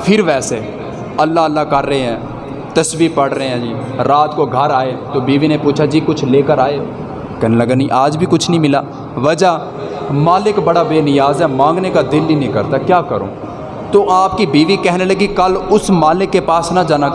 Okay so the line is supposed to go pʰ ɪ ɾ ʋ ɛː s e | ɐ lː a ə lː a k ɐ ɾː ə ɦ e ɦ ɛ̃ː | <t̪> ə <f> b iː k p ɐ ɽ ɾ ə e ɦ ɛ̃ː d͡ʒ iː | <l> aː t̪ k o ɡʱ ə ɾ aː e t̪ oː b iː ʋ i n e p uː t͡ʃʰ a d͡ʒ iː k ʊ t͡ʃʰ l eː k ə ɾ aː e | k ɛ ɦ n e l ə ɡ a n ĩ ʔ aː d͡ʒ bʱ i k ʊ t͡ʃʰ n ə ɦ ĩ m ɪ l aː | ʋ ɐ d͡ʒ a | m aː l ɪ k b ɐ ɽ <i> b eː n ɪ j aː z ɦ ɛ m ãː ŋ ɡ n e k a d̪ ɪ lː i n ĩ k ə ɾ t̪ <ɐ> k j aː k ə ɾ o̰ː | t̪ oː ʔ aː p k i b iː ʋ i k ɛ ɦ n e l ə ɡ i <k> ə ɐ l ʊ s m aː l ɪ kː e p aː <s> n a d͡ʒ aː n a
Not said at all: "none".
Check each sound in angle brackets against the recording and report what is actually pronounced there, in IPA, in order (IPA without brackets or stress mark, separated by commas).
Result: t̪, s, ɾ, a, a, k, s